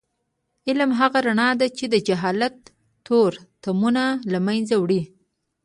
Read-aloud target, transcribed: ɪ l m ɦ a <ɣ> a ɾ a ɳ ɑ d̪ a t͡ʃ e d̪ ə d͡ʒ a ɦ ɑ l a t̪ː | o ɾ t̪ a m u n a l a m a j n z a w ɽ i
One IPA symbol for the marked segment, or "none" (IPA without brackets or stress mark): ɣ